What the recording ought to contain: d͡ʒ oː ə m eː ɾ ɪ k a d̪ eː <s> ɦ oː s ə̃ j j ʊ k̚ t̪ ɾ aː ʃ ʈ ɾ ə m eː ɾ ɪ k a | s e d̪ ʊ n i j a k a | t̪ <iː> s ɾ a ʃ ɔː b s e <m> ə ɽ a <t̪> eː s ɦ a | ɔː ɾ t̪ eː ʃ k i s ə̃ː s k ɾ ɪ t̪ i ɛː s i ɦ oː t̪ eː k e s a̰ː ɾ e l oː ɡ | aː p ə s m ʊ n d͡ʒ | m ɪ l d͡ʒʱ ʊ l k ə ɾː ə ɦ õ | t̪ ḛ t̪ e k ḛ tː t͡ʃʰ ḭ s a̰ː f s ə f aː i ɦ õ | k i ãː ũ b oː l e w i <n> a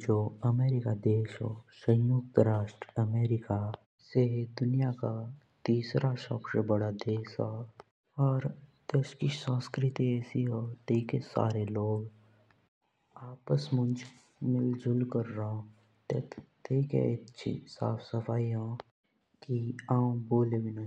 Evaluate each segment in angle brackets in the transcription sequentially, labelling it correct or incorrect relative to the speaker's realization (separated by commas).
incorrect, correct, incorrect, incorrect, correct